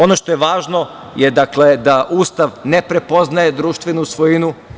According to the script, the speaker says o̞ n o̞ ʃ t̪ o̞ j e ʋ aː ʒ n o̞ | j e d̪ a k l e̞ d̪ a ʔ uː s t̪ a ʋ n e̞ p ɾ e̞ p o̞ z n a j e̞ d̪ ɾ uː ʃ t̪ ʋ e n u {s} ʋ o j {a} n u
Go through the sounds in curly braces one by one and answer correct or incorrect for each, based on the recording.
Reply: correct, incorrect: i

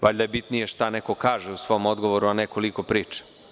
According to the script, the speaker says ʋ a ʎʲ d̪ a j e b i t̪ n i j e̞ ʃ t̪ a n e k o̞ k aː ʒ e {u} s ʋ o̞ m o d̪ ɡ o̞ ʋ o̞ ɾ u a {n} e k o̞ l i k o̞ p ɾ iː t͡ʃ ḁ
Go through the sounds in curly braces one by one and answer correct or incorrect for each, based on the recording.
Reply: correct, correct

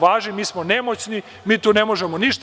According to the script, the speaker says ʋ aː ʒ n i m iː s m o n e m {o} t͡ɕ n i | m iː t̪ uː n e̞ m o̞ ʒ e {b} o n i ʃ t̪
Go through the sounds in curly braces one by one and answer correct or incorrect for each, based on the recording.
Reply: correct, incorrect: m

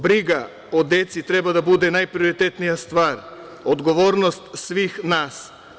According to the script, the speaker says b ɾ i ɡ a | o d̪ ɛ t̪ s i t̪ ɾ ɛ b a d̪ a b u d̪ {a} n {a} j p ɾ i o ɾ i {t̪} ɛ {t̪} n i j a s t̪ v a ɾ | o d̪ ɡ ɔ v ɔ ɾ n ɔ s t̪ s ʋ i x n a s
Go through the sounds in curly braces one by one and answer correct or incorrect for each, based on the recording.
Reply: incorrect: ɛ, correct, correct, correct

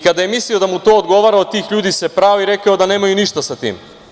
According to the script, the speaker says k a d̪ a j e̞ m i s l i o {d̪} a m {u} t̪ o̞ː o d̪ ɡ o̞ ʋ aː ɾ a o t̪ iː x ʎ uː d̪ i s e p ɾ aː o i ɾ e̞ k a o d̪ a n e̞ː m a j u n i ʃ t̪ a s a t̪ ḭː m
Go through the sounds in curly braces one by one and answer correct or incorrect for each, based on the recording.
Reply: correct, correct

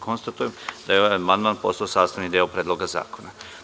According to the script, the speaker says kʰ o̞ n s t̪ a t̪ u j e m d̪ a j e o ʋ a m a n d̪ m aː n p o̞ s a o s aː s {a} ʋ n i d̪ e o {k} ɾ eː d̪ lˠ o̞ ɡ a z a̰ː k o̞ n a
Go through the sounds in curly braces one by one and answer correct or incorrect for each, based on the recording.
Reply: correct, incorrect: p

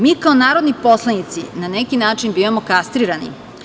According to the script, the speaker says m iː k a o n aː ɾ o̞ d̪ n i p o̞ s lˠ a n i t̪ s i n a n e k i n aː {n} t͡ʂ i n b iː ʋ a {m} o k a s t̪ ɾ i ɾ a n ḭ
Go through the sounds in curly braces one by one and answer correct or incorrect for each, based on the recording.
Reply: incorrect: none, correct

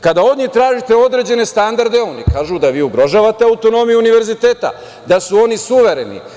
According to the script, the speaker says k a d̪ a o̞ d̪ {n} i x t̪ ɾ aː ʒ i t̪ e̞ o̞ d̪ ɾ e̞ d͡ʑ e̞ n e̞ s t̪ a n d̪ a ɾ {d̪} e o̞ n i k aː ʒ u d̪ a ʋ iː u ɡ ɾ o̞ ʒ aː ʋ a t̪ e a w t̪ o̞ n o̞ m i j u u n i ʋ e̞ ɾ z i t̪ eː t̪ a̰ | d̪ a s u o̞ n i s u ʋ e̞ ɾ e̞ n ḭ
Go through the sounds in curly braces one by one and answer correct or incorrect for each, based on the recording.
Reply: incorrect: ɲ, correct

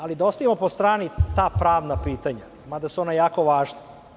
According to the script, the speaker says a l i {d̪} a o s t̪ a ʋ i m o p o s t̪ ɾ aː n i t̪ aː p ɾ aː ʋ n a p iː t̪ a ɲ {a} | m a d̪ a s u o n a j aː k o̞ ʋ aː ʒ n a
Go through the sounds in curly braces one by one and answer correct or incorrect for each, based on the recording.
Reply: correct, correct

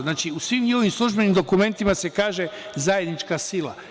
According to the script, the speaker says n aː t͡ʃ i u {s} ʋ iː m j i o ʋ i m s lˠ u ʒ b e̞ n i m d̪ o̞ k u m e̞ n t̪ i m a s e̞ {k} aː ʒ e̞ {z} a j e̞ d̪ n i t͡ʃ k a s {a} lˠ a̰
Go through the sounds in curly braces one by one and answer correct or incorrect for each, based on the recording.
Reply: correct, correct, correct, incorrect: i

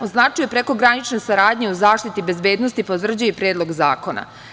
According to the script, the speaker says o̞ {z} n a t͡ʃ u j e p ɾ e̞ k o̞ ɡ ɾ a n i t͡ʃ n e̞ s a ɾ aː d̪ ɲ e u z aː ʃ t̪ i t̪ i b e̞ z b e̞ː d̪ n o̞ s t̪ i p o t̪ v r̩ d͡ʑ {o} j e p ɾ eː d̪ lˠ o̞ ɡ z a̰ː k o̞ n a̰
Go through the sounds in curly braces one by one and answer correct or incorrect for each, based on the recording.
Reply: correct, incorrect: u

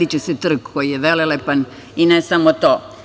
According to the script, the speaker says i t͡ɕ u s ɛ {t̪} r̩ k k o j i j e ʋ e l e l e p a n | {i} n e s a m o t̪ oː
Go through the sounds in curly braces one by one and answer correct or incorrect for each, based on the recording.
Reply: correct, correct

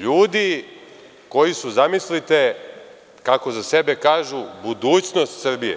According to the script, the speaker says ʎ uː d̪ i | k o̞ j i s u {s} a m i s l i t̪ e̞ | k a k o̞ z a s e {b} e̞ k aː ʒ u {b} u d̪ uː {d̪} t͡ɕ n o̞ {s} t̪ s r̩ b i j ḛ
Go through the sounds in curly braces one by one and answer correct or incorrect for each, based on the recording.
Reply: incorrect: z, correct, correct, incorrect: none, correct

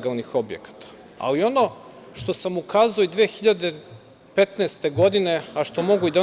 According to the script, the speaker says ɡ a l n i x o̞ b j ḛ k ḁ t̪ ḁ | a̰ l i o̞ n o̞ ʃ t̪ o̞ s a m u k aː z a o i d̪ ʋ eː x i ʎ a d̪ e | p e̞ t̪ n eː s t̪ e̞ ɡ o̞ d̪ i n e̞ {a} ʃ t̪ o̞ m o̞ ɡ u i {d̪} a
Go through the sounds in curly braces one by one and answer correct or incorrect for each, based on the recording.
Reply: correct, correct

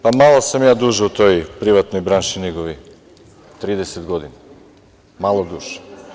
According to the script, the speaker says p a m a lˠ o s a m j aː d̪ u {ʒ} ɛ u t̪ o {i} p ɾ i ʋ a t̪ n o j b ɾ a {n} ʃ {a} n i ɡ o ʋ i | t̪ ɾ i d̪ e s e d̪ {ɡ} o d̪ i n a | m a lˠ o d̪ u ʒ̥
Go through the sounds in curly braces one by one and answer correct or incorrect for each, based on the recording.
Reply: correct, incorrect: j, correct, incorrect: i, correct

